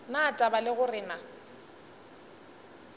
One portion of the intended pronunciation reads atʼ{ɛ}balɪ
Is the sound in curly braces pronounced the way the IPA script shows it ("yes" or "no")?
no